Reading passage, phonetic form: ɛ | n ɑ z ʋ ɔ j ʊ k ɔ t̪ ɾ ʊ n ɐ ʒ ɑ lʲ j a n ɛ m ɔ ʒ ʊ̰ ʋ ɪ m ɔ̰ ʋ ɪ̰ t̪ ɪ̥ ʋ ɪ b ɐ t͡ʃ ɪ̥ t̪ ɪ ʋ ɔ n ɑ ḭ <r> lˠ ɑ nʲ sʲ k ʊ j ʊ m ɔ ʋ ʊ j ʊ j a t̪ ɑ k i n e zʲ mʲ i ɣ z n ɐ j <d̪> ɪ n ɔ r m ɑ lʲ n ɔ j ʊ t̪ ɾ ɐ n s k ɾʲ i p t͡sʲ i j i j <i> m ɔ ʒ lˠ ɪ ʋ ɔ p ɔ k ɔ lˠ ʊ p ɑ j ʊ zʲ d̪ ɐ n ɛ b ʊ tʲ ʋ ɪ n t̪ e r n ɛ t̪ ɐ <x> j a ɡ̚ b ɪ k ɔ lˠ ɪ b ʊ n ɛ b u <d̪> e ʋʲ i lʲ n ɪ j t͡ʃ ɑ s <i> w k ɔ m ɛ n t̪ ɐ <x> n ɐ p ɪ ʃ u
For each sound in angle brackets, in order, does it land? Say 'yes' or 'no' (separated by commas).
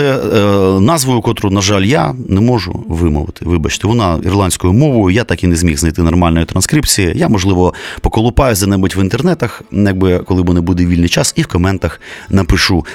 yes, no, no, yes, yes, yes, yes